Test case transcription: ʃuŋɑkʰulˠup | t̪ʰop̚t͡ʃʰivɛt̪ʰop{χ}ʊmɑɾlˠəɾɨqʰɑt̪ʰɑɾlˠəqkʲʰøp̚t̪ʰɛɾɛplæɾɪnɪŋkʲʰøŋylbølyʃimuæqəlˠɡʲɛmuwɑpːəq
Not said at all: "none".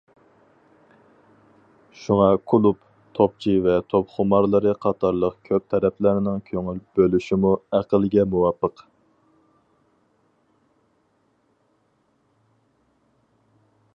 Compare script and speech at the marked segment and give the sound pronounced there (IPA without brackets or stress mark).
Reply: χ